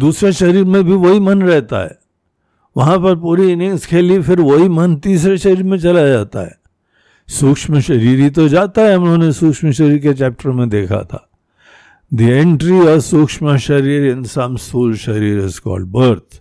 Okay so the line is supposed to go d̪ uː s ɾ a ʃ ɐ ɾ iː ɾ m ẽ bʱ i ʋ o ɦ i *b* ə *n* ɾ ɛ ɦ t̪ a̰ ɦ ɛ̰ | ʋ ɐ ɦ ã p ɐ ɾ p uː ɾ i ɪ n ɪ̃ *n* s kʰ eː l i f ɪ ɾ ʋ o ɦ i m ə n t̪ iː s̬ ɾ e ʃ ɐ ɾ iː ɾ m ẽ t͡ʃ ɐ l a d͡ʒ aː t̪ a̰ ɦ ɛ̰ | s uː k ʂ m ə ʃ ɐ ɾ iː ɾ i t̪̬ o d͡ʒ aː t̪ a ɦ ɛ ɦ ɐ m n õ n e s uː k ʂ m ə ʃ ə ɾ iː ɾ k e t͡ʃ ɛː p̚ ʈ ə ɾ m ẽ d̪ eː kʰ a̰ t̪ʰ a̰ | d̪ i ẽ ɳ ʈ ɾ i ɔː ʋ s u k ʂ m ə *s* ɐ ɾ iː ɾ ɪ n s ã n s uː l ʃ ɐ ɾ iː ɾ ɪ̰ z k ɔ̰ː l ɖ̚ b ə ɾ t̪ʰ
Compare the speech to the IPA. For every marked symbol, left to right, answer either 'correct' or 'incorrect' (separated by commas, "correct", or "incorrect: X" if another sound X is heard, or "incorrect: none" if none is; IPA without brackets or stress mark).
incorrect: m, correct, incorrect: ŋ, incorrect: ʃ